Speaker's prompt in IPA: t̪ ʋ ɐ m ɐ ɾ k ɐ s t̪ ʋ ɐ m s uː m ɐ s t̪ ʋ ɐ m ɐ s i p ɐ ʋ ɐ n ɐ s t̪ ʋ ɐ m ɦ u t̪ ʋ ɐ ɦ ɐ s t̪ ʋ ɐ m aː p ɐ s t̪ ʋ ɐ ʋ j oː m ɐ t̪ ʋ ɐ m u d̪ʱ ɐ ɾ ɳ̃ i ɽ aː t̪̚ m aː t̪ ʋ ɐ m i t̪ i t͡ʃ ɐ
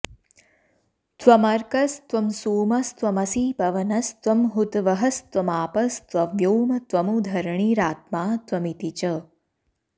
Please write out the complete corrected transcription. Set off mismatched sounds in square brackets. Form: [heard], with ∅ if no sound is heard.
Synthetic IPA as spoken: t̪ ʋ ɐ m ɐ ɾ k ɐ s t̪ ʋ ɐ m s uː m ɐ s t̪ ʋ ɐ m ɐ s i p ɐ ʋ ɐ n ɐ s t̪ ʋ ɐ m ɦ u t̪ ʋ ɐ ɦ ɐ s t̪ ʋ ɐ m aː p ɐ s t̪ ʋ ɐ ʋ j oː m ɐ t̪ ʋ ɐ m u d̪ʱ ɐ ɾ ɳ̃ i [ɾ] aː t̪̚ m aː t̪ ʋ ɐ m i t̪ i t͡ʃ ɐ